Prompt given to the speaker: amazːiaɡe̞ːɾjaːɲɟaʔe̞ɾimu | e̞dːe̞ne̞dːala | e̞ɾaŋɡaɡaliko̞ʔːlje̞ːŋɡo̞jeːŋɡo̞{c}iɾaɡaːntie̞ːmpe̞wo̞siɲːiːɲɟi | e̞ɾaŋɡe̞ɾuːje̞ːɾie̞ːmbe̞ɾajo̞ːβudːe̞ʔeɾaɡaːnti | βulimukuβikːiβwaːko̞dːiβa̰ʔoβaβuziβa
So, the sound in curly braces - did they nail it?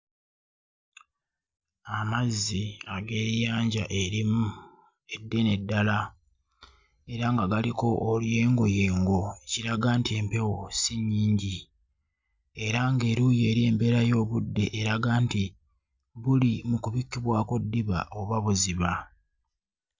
yes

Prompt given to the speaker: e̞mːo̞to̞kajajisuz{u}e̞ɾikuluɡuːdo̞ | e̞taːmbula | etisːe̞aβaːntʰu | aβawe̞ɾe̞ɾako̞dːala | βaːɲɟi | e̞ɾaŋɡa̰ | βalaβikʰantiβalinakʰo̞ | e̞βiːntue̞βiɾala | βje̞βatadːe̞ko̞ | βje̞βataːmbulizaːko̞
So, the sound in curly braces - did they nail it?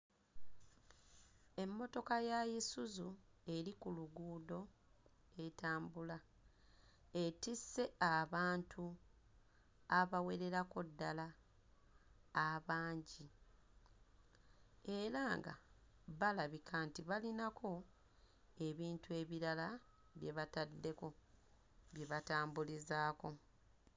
yes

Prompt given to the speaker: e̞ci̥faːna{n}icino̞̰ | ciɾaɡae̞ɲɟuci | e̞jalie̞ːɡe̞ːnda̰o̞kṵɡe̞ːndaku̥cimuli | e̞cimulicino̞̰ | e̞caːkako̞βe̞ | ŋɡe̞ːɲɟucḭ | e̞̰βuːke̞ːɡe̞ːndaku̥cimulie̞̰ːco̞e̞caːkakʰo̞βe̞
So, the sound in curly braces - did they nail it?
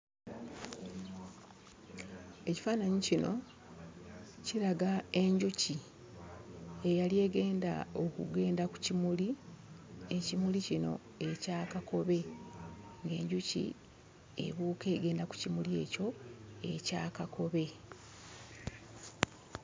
no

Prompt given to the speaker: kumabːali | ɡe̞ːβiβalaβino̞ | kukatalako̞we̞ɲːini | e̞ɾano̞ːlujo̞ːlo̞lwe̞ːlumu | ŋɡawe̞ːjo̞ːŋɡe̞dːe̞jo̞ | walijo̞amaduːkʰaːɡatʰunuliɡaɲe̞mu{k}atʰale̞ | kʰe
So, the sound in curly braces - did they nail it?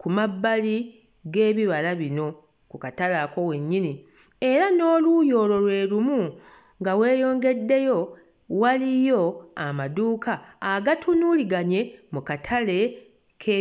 yes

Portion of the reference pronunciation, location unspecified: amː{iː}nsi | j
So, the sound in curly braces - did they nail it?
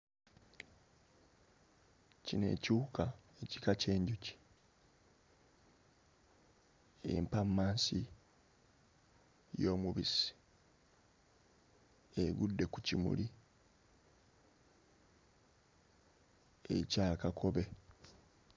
no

